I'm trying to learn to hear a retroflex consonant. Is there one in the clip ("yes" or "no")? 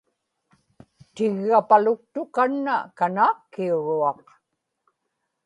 yes